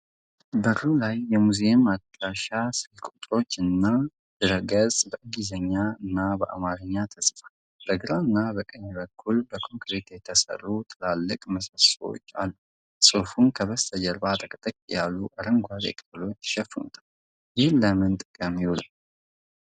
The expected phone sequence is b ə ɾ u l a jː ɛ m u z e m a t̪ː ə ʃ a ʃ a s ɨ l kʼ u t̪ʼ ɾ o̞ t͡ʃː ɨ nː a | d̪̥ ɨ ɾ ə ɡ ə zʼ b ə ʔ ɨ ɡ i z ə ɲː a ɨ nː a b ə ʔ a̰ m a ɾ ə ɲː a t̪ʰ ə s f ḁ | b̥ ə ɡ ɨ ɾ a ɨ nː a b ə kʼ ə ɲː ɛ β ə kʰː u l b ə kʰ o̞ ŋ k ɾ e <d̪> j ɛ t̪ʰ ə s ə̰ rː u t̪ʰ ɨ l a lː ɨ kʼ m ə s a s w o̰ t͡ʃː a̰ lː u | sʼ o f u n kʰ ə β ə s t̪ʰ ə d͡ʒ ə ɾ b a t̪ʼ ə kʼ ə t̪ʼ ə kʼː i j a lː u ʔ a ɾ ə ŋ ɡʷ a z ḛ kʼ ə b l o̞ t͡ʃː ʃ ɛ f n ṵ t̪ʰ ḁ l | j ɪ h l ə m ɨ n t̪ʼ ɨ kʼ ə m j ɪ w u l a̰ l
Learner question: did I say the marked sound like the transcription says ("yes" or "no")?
no